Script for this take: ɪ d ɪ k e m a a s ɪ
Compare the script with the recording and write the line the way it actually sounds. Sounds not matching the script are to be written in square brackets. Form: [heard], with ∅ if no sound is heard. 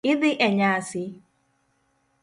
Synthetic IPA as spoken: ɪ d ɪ [ʔ] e [ɲ] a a s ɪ